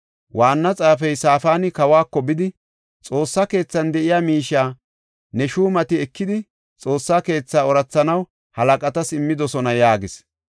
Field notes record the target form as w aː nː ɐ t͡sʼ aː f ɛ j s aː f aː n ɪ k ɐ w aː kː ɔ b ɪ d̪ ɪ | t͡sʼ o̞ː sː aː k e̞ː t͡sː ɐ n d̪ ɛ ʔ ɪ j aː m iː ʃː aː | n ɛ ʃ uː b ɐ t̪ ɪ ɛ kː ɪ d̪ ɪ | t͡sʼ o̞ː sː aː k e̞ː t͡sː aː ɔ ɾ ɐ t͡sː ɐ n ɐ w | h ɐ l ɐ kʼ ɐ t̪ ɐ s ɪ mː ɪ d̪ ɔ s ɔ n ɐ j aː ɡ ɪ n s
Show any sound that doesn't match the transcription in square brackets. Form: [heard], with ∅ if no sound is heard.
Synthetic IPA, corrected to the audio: w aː nː ɐ t͡sʼ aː f ɛ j s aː f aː n ɪ k ɐ w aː kː ɔ b ɪ d̪ ɪ | t͡sʼ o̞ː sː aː k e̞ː t͡sː ɐ n d̪ ɛ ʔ ɪ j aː m iː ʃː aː | n ɛ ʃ uː [m] ɐ t̪ ɪ ɛ kː ɪ d̪ ɪ | t͡sʼ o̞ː sː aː k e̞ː t͡sː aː ɔ ɾ ɐ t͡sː ɐ n ɐ w | h ɐ l ɐ kʼ ɐ t̪ ɐ s ɪ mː ɪ d̪ ɔ s ɔ n ɐ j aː ɡ ɪ [∅] s